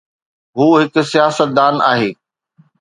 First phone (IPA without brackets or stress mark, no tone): ɦ